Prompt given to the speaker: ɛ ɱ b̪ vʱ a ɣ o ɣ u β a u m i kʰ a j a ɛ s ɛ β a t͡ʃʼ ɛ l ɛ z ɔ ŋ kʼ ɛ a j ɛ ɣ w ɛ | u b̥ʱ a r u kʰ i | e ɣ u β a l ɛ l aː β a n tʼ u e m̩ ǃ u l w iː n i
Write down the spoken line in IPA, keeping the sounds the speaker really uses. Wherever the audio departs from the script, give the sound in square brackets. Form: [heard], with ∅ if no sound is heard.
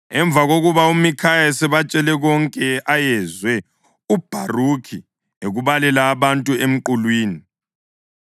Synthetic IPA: ɛ ɱ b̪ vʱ a ɣ o ɣ u β a u m i kʰ a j a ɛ s ɛ β a t͡ʃʼ ɛ l ɛ [ɣ] ɔ ŋ kʼ ɛ a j ɛ [z] w ɛ | u b̥ʱ a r u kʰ i | e ɣ u β a l ɛ l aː β a n tʼ u e m̩ ǃ u l w iː n i